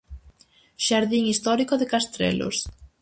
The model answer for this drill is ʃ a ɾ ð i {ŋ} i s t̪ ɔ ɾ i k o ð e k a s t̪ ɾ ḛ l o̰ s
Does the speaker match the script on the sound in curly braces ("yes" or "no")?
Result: yes